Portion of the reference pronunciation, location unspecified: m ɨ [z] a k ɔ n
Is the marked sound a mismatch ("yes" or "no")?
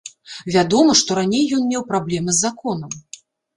yes